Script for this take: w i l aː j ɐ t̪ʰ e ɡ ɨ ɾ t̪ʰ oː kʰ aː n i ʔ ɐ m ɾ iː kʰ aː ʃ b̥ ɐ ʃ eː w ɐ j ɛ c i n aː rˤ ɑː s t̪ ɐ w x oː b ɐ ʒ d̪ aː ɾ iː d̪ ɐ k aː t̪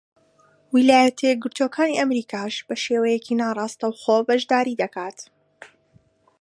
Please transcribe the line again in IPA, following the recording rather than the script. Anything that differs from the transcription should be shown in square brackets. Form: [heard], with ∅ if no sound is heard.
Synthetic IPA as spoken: w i l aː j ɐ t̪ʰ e ɡ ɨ ɾ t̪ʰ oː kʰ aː n i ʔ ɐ m ɾ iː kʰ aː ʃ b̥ ɐ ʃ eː w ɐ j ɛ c i n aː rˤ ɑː s t̪ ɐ w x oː b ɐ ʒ d̪ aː ɾ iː d̪ ɐ k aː t̪